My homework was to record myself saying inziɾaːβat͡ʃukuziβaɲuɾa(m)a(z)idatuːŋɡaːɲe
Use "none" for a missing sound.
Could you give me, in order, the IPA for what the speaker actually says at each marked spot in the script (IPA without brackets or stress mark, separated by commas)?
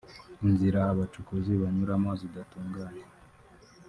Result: m, z